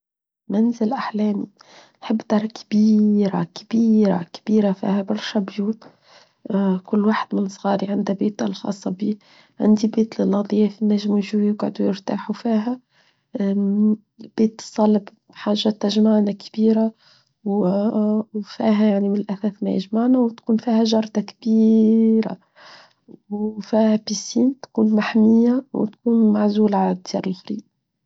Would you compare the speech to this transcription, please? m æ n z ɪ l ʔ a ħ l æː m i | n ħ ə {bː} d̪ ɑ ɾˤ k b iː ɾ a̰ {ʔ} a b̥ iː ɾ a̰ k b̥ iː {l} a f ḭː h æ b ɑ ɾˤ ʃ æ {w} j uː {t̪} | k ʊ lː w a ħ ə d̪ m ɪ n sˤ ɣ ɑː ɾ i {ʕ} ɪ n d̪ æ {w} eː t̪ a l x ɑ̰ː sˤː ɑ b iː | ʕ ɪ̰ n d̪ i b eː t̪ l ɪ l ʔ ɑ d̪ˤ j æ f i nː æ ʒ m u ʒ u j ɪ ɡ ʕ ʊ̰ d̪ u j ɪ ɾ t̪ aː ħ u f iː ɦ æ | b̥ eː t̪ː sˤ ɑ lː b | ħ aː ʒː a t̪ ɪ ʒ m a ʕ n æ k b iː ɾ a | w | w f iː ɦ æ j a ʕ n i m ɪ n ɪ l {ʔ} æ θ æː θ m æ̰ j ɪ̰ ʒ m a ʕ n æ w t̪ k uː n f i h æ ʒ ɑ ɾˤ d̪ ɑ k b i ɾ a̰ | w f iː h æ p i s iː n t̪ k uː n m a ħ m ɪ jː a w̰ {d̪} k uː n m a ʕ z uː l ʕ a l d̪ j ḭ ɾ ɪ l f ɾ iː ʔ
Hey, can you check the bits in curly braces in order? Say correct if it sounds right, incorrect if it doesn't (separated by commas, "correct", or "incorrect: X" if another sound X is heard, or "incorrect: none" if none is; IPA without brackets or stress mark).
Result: correct, incorrect: k, incorrect: ɾ, incorrect: b, correct, correct, incorrect: b, correct, incorrect: t̪